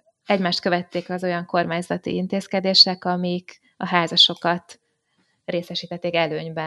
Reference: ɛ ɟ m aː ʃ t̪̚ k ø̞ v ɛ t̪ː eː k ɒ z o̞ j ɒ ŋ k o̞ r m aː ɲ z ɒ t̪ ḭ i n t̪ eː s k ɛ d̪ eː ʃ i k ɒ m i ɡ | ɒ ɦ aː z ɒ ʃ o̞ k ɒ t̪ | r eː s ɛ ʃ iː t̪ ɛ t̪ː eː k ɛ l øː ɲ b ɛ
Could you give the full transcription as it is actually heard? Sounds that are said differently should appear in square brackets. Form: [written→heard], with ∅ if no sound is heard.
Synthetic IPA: ɛ ɟ m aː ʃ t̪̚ k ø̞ v ɛ t̪ː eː k ɒ z o̞ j ɒ ŋ k o̞ r m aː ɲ z ɒ t̪ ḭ i n t̪ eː s k ɛ d̪ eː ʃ [i→ɛ] k ɒ m i [ɡ→k] | ɒ ɦ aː z ɒ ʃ o̞ k ɒ t̪ | r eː s ɛ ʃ iː t̪ ɛ t̪ː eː k ɛ l øː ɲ b ɛ